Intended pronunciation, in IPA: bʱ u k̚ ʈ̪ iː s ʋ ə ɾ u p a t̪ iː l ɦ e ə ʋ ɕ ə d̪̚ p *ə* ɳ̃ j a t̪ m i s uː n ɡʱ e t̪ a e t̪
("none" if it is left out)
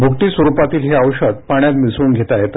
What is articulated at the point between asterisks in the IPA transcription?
a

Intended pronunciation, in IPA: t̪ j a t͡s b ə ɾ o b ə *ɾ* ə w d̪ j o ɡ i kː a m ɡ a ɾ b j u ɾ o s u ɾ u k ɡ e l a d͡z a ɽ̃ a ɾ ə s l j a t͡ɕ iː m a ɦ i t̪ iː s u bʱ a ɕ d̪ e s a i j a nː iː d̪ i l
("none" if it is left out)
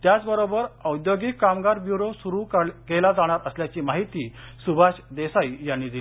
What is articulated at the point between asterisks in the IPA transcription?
ɾ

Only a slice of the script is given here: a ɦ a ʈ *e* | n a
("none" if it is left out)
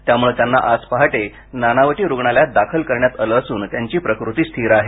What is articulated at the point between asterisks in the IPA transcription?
e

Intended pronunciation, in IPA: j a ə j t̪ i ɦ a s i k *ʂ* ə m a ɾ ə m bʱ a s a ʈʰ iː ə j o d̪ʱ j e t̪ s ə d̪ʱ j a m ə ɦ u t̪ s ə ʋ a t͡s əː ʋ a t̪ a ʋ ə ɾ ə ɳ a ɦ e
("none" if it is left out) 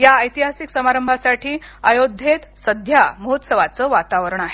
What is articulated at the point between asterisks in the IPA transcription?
s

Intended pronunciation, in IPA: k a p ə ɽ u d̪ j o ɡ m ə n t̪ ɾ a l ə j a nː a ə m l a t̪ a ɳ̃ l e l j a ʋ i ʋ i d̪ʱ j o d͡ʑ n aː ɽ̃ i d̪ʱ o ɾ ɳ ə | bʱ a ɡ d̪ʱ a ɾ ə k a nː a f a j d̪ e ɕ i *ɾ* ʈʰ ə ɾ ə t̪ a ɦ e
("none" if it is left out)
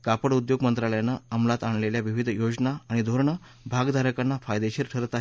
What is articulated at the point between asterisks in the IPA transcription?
ɾ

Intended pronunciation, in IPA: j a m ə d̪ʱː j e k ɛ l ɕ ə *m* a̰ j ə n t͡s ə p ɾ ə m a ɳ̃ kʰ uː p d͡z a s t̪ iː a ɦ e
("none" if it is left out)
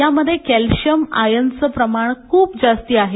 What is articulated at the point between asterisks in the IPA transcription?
m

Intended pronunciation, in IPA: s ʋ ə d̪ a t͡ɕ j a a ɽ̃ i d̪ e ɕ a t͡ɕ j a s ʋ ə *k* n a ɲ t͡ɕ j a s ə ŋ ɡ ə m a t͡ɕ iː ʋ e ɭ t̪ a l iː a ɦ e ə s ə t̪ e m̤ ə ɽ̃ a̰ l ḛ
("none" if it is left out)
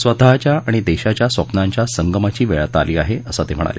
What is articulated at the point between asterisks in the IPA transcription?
p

